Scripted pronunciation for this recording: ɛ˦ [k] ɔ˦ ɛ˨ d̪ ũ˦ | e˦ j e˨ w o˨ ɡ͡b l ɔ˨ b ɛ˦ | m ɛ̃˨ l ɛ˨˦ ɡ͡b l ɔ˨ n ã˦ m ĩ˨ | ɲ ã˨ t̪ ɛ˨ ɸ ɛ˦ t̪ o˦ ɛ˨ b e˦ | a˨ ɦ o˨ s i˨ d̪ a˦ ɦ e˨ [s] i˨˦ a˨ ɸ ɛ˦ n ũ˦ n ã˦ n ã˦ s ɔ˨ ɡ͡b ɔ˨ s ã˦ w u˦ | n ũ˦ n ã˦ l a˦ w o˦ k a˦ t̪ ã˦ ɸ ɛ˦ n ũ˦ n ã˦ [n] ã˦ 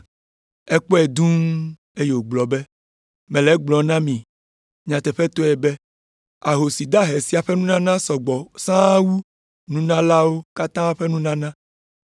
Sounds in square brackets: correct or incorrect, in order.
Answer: incorrect: k͡p, correct, correct

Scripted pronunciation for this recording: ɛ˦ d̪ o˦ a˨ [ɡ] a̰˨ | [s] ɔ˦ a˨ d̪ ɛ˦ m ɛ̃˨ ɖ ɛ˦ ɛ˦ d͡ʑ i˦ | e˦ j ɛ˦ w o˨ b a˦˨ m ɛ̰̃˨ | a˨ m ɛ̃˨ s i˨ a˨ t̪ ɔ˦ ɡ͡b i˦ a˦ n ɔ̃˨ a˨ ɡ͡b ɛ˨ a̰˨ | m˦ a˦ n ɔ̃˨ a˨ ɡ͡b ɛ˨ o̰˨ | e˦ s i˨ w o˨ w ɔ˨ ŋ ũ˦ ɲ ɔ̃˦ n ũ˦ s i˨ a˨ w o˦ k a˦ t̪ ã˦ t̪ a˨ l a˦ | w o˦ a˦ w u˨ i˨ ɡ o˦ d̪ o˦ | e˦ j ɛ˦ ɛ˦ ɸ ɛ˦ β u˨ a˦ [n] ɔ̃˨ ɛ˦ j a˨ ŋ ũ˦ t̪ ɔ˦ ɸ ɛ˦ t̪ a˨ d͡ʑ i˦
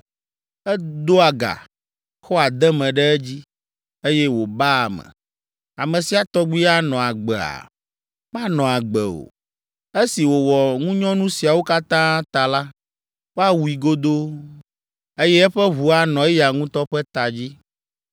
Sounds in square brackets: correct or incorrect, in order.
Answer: correct, incorrect: x, correct

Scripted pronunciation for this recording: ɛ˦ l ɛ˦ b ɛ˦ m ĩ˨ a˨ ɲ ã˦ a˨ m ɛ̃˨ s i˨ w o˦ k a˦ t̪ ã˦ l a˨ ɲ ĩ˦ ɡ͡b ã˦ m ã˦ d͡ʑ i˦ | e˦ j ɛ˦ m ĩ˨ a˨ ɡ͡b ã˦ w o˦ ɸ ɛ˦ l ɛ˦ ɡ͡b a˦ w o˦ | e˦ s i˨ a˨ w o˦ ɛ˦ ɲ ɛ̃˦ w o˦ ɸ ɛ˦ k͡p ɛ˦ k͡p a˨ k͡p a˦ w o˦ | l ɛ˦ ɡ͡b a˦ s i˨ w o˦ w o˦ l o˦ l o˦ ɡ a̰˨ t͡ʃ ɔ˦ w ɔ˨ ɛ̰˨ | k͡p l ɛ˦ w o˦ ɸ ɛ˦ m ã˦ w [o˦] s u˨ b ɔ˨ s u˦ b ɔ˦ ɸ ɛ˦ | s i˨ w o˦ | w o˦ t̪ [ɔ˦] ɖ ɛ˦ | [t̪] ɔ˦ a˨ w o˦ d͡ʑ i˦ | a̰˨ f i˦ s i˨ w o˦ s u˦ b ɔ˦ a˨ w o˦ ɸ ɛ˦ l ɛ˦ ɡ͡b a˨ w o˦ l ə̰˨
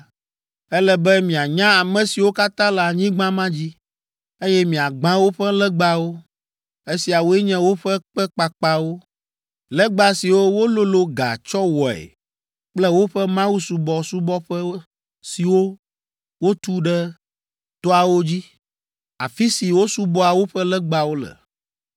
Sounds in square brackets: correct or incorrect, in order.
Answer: incorrect: u˦, incorrect: u˦, correct

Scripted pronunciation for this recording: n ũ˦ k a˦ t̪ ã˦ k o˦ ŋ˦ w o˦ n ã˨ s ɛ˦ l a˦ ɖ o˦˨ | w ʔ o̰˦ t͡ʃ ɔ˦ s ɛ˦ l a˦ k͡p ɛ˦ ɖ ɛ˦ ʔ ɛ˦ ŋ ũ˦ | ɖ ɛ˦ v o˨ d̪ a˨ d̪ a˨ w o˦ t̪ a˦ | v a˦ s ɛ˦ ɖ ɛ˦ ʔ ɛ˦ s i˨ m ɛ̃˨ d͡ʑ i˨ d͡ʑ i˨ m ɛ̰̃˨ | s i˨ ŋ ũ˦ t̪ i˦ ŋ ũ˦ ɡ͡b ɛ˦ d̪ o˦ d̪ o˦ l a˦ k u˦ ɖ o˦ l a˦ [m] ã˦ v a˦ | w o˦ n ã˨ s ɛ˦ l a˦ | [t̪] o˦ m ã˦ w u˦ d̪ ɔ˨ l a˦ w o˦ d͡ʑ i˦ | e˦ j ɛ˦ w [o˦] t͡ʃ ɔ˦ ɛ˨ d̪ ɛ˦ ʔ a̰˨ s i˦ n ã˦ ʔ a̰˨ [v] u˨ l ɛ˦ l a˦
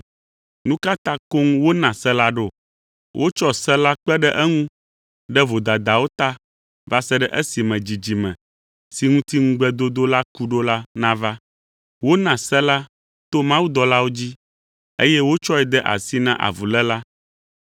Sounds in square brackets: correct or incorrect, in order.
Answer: incorrect: n, correct, correct, correct

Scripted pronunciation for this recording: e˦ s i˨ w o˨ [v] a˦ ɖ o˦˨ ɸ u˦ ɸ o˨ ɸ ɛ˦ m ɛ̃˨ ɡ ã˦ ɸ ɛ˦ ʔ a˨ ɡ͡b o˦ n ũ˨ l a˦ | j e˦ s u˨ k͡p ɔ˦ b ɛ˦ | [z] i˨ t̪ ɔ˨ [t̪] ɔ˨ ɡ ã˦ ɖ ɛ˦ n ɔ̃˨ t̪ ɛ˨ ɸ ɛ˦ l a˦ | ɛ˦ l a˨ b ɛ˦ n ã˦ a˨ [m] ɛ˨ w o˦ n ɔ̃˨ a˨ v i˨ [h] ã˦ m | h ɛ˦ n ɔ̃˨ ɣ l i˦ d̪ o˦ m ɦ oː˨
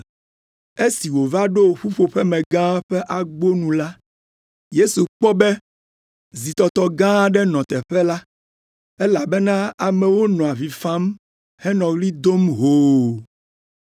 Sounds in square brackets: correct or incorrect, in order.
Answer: correct, correct, correct, correct, incorrect: f

